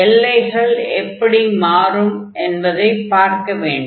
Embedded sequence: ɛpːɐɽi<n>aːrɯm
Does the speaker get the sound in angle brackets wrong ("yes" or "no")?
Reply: yes